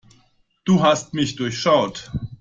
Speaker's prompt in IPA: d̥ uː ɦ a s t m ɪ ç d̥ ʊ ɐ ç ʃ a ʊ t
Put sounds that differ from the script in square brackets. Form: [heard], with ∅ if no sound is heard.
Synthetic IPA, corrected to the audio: d̥ uː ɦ a s t m ɪ ç d̥ ʊ ɐ ç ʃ a ʊ t